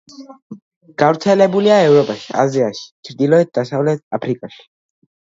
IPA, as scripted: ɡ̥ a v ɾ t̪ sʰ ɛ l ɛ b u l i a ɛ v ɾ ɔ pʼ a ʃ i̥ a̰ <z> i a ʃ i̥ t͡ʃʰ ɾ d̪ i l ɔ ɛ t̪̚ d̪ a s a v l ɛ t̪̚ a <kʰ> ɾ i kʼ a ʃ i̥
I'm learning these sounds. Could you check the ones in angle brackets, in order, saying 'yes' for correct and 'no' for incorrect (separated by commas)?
yes, no